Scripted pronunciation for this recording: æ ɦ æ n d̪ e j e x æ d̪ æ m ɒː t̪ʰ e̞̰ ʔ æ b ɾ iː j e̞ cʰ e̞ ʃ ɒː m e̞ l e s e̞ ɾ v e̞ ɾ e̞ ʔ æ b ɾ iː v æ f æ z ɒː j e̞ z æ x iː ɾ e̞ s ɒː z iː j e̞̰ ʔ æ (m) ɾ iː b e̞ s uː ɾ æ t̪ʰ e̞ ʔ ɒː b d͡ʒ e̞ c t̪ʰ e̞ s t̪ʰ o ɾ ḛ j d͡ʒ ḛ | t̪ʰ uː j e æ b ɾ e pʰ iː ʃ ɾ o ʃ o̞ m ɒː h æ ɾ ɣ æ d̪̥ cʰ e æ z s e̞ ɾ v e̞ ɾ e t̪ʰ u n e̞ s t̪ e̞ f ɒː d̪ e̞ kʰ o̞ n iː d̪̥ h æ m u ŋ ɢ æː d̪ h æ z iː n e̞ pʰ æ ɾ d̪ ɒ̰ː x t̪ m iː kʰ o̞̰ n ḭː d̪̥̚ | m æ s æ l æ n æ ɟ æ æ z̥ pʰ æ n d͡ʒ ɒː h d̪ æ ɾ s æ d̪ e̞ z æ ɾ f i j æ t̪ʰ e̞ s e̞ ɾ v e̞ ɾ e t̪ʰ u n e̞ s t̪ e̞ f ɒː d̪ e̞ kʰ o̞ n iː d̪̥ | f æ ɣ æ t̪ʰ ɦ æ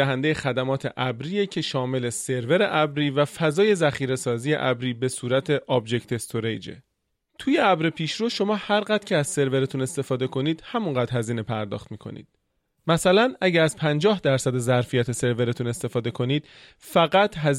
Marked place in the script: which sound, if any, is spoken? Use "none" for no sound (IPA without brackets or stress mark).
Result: b